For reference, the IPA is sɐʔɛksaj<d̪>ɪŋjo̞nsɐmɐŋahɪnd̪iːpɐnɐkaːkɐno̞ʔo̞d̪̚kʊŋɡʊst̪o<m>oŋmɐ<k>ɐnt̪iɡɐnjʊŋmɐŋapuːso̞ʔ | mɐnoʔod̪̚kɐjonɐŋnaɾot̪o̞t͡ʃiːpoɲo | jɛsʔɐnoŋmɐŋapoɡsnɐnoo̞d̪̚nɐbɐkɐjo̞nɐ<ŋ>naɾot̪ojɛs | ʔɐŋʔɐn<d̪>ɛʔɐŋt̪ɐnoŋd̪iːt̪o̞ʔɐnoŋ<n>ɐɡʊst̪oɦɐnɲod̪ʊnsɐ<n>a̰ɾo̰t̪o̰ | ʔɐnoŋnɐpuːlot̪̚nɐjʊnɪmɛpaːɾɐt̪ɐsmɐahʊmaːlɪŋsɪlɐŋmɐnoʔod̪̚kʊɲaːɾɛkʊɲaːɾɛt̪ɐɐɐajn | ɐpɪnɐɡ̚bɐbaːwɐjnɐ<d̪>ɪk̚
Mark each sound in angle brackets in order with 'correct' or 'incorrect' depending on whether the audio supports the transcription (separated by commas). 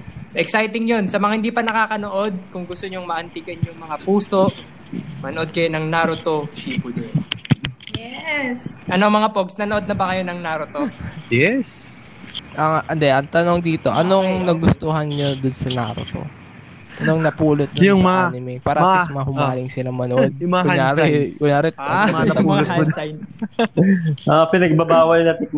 incorrect, incorrect, incorrect, correct, correct, correct, correct, incorrect